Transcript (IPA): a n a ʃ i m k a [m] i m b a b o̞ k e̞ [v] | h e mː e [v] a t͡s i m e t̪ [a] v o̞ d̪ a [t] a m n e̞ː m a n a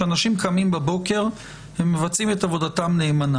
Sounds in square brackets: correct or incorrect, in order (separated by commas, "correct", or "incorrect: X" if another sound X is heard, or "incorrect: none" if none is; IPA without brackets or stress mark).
correct, incorrect: ʁ, correct, correct, correct